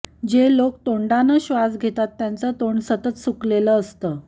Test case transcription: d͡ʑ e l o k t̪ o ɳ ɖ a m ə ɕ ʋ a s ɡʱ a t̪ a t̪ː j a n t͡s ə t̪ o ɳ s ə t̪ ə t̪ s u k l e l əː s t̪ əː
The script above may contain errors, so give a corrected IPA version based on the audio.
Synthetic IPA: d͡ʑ e l o k t̪ o ɳ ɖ a n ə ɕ ʋ a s ɡʱ e t̪ a t̪ː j a n t͡s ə t̪ o ɳ s ə t̪ ə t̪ s u k l e l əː s t̪ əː